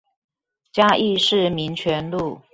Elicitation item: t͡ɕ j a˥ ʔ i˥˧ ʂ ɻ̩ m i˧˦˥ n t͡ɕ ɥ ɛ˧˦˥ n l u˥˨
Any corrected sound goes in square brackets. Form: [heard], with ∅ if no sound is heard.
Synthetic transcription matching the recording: t͡ɕ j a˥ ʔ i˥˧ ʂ ɻ̩ m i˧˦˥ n [t͡ɕʰ] ɥ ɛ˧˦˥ n l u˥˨

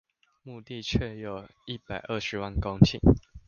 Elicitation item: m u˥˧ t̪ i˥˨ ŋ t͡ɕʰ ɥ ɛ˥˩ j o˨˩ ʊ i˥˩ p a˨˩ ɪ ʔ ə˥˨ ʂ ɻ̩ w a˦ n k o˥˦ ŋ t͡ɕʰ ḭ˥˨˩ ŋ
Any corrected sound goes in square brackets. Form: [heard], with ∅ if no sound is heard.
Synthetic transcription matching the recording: m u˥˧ t̪ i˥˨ [∅] t͡ɕʰ ɥ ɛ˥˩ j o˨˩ ʊ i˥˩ p a˨˩ ɪ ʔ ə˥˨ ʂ ɻ̩ w [a˥˨] n k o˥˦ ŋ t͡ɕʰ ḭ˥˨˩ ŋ

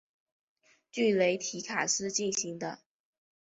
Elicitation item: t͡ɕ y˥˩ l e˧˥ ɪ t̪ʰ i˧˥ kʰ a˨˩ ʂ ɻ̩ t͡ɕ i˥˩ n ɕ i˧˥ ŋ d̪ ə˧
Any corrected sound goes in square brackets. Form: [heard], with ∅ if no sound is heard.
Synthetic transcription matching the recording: t͡ɕ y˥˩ l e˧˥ ɪ t̪ʰ i˧˥ kʰ a˨˩ ʂ ɻ̩ t͡ɕ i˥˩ n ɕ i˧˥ ŋ d̪ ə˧

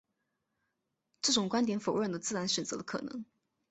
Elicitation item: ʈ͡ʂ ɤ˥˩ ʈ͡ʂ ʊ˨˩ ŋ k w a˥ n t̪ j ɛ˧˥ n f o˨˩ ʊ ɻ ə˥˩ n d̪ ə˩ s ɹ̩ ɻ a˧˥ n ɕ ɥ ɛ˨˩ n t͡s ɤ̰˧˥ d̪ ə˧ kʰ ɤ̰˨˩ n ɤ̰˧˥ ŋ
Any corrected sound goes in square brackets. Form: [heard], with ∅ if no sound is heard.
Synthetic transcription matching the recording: ʈ͡ʂ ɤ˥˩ ʈ͡ʂ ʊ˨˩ ŋ k w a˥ n t̪ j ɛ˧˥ n f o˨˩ ʊ ɻ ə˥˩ n d̪ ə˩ [t͡s] ɹ̩ ɻ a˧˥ n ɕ ɥ ɛ˨˩ n t͡s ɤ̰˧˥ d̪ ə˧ kʰ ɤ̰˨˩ n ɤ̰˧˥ ŋ

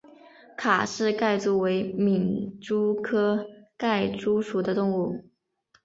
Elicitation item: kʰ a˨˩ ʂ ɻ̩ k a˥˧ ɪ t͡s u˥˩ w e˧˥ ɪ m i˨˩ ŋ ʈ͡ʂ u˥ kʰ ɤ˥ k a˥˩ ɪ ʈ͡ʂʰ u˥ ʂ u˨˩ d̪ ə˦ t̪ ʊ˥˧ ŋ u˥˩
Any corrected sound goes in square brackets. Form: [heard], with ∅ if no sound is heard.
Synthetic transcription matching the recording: kʰ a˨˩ ʂ ɻ̩ k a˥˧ ɪ t͡s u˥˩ w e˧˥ ɪ m i˨˩ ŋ ʈ͡ʂ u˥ kʰ ɤ˥ k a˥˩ ɪ [ʈ͡ʂ] u˥ ʂ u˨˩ d̪ ə˦ t̪ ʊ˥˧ ŋ u˥˩

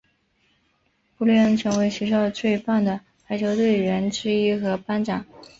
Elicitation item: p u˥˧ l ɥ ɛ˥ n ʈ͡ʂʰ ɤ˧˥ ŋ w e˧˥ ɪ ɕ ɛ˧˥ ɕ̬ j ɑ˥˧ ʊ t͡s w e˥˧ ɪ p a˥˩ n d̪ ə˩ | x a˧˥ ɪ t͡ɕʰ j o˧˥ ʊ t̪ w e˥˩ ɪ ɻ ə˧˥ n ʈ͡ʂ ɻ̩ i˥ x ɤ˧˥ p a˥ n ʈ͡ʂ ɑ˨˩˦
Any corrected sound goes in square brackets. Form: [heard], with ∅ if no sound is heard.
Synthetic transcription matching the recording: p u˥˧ l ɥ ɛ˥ n ʈ͡ʂʰ ɤ˧˥ ŋ w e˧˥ ɪ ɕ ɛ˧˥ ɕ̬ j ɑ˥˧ ʊ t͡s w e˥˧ ɪ p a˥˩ n d̪ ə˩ | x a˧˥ ɪ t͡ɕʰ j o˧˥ ʊ t̪ w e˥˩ ɪ ɻ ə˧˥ n ʈ͡ʂ ɻ̩ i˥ x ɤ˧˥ p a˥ n ʈ͡ʂ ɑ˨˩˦

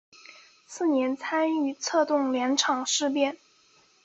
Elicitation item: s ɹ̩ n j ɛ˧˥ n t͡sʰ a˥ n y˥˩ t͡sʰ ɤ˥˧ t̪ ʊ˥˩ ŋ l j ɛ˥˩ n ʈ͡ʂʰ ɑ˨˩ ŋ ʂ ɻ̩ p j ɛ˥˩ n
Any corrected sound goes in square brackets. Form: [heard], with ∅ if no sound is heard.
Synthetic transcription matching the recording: s ɹ̩ n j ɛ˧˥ n t͡sʰ a˥ n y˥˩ t͡sʰ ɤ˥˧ t̪ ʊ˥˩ ŋ l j [ɛ˧˥] n ʈ͡ʂʰ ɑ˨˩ ŋ ʂ ɻ̩ p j ɛ˥˩ n

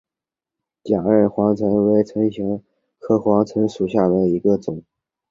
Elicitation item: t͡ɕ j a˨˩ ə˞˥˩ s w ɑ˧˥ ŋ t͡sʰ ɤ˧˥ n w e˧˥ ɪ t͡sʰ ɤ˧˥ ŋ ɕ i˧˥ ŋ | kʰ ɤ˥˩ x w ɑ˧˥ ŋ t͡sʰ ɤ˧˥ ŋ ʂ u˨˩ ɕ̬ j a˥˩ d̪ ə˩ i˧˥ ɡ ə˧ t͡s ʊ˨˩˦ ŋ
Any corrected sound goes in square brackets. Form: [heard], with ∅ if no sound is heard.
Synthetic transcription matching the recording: t͡ɕ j a˨˩ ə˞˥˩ [x] w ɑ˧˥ ŋ t͡sʰ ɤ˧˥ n w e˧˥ ɪ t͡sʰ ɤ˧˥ ŋ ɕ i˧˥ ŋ | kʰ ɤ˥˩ x w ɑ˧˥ ŋ t͡sʰ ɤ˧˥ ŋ ʂ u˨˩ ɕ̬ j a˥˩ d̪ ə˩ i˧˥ ɡ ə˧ t͡s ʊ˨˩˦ ŋ

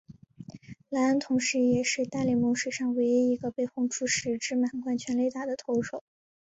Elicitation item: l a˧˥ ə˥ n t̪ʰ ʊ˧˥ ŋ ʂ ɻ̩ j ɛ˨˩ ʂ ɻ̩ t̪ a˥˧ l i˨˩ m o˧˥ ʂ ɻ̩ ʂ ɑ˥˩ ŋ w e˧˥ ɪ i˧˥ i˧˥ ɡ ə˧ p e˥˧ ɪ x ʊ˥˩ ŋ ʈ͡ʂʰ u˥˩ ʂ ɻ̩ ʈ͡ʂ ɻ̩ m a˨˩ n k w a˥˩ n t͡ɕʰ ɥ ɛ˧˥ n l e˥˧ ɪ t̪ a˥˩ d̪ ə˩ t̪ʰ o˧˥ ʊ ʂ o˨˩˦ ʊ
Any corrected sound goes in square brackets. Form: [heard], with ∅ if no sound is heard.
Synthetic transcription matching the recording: l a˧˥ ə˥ n t̪ʰ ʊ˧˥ ŋ ʂ ɻ̩ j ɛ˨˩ ʂ ɻ̩ t̪ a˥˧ l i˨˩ m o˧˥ ʂ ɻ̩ ʂ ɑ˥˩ ŋ w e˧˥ ɪ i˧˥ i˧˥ ɡ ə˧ p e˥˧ ɪ x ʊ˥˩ ŋ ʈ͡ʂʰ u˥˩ ʂ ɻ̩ ʈ͡ʂ ɻ̩ m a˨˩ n k w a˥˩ n t͡ɕʰ ɥ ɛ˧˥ n l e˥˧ ɪ t̪ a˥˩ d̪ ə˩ t̪ʰ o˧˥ ʊ ʂ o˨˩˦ ʊ

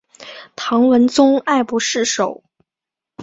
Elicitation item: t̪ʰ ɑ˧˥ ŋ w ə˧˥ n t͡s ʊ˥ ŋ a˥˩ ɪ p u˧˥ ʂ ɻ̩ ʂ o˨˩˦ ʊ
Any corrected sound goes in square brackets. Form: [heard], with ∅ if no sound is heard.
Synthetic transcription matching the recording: t̪ʰ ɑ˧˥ ŋ w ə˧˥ n t͡s ʊ˥ ŋ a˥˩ ɪ p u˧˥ ʂ ɻ̩ ʂ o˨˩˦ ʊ

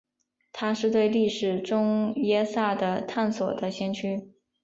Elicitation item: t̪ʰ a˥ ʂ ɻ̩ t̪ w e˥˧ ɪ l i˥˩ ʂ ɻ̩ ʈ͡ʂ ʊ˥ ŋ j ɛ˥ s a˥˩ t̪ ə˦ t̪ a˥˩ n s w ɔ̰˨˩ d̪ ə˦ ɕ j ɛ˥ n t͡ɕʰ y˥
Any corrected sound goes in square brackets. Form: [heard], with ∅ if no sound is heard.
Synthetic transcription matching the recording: t̪ʰ a˥ ʂ ɻ̩ t̪ w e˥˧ ɪ l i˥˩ ʂ ɻ̩ ʈ͡ʂ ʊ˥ ŋ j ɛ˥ s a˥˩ [d̪] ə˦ [t̪ʰ] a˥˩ n s w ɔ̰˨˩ d̪ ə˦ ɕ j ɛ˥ n t͡ɕʰ y˥

